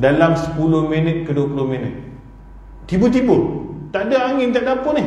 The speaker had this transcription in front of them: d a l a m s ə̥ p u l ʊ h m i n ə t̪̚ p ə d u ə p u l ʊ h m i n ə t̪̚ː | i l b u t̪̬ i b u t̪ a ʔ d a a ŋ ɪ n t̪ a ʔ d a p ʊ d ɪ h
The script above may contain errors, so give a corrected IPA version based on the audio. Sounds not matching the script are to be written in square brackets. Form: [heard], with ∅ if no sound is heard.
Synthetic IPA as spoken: d a l a m s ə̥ p u l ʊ h m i n ə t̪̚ [k] ə d u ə p u l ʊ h m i n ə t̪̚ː | i [∅] b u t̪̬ i b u t̪ a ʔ d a a ŋ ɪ n t̪ a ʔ d a p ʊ [n] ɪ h